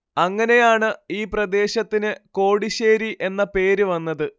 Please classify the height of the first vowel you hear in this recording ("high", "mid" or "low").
low